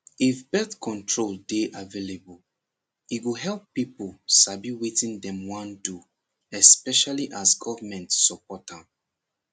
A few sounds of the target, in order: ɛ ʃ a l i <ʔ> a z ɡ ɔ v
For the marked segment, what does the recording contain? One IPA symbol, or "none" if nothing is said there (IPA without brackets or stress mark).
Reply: ʔ